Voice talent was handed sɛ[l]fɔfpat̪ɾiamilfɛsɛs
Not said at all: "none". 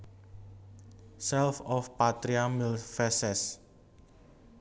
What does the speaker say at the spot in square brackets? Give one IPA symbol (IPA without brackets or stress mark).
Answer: l